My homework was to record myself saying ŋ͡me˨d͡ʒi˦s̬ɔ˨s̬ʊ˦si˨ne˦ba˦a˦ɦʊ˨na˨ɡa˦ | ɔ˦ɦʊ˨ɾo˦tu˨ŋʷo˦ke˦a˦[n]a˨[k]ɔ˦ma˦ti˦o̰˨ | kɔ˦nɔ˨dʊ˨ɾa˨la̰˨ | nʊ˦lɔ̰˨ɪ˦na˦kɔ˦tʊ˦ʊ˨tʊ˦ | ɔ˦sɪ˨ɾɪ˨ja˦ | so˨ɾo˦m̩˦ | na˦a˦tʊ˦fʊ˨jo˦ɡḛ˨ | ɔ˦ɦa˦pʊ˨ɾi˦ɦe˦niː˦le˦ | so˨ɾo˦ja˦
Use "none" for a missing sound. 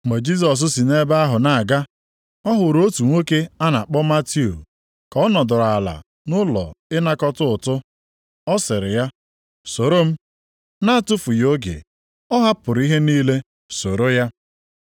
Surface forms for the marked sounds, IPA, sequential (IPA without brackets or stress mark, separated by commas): n, k͡p